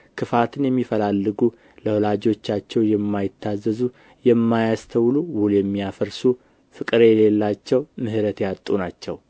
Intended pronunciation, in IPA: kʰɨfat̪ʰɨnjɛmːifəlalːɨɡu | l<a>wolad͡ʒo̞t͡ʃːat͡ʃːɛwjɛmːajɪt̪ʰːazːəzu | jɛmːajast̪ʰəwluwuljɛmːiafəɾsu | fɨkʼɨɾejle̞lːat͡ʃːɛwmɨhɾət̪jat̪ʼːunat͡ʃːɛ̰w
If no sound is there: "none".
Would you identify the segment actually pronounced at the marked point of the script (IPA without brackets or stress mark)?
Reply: ə